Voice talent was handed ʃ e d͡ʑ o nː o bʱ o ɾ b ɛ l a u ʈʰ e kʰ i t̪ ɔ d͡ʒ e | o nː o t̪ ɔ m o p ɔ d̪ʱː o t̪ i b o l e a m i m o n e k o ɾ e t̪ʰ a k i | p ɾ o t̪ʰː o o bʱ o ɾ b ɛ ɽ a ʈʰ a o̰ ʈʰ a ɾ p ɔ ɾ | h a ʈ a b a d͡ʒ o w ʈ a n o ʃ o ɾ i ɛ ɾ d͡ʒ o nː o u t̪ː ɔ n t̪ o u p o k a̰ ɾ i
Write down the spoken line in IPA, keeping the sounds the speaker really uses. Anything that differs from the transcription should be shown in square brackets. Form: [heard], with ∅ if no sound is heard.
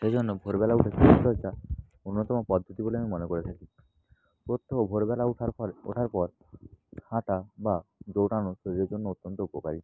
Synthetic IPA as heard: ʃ e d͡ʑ o nː o bʱ o ɾ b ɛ l a u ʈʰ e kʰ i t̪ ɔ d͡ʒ [a] | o nː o t̪ ɔ m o p ɔ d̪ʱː o t̪ i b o l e a m i m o n e k o ɾ e t̪ʰ a k i | p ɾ o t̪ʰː o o bʱ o ɾ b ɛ [l] a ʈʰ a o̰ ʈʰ a ɾ p ɔ ɾ | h a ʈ a b a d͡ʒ o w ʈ a n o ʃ o ɾ i [e] ɾ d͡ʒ o nː o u t̪ː ɔ n t̪ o u p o k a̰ ɾ i